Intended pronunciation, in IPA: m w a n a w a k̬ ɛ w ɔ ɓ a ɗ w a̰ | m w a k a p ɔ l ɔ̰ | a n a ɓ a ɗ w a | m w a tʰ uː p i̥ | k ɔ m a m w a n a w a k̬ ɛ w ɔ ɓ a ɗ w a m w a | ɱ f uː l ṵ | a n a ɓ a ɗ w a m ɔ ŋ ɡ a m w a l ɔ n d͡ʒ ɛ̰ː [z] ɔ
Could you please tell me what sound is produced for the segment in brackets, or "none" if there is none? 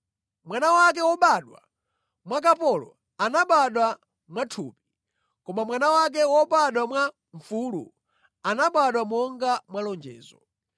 z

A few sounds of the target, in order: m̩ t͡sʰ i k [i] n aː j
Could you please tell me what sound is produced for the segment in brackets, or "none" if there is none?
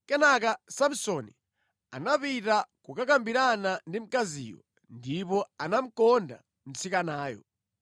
a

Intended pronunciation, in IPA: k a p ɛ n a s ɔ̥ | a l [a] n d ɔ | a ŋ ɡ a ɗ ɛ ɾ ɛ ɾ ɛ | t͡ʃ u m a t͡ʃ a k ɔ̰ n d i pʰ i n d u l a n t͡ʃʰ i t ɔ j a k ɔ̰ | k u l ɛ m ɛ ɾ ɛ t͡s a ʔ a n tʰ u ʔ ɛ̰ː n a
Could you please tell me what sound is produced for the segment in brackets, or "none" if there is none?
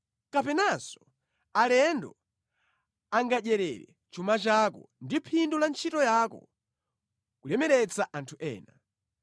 ɛ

